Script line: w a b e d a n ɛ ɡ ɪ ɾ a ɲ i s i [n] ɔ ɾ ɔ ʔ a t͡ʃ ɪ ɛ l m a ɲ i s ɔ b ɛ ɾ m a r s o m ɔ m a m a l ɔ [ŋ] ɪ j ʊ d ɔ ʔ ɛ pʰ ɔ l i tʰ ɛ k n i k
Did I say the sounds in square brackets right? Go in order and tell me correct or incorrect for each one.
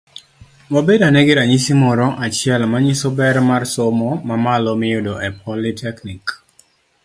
incorrect, incorrect

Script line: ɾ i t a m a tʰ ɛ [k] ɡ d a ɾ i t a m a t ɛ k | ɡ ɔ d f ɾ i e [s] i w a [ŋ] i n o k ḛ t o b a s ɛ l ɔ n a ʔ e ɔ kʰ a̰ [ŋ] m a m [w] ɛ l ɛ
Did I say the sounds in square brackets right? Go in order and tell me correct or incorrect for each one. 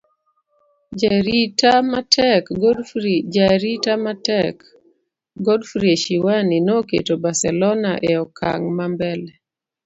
correct, incorrect, incorrect, correct, incorrect

